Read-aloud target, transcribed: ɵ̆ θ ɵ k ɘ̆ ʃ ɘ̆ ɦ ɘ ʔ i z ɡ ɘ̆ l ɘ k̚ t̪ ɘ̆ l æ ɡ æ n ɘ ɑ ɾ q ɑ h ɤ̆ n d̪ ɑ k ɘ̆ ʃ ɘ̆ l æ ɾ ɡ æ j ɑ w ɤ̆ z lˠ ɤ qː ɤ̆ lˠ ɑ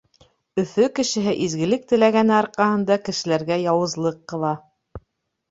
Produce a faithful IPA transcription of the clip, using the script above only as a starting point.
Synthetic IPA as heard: ɵ̆ θ ɵ k ɘ̆ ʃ ɘ̆ ɦ ɘ ʔ i z ɡ ɘ̆ l ɘ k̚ t̪ ɘ̆ l æ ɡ æ n ɘ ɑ ɾ q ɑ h ɤ̆ n d̪ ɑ k ɘ̆ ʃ ɘ̆ l æ ɾ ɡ æ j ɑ w ɤ̆ z lˠ ɤ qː ɤ̆ lˠ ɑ